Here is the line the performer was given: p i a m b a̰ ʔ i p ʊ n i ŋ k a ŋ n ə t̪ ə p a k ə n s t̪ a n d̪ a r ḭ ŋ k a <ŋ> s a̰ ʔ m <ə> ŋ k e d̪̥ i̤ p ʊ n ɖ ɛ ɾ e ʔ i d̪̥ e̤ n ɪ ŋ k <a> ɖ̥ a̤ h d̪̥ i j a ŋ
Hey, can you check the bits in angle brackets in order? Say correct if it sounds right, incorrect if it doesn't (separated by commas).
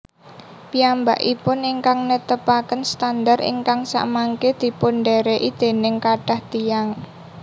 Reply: correct, incorrect, correct